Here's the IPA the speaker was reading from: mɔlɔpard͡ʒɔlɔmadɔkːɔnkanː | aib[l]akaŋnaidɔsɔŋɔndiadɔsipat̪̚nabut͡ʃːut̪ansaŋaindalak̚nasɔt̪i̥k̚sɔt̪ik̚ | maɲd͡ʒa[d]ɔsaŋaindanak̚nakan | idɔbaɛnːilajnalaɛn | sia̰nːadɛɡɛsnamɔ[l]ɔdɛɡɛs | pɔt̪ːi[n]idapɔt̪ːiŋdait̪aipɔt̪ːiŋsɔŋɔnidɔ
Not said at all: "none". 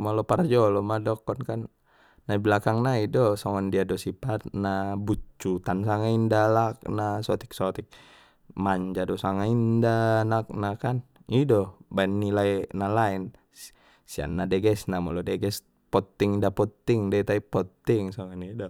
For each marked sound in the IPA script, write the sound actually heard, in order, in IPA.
l, d, l, ŋ

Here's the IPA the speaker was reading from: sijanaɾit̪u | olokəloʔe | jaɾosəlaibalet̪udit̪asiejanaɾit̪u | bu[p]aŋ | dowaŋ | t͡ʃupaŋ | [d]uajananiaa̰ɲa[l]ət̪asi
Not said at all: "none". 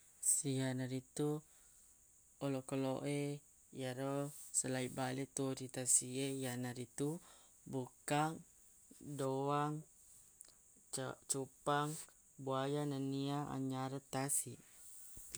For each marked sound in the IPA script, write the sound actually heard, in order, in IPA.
k, b, ɾ

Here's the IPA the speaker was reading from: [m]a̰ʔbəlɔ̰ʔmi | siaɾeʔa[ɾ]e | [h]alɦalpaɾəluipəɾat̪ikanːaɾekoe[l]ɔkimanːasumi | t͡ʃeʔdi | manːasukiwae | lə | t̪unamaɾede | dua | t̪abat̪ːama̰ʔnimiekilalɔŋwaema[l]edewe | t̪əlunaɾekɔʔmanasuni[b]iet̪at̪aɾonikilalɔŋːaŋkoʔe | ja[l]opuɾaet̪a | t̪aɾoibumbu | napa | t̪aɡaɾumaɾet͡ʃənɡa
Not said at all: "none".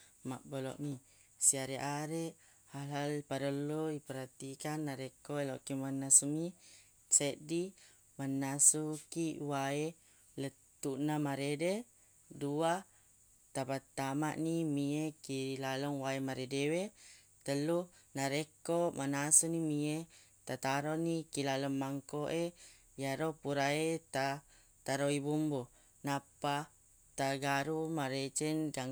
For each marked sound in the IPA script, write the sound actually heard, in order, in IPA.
m, ɾ, h, l, ɾ, m, ɾ

